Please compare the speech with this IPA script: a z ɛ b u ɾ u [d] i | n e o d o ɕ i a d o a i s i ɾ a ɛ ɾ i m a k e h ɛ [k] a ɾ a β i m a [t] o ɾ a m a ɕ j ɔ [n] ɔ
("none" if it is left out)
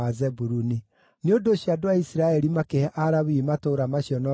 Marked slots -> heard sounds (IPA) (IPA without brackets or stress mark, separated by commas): n, ʔ, t, n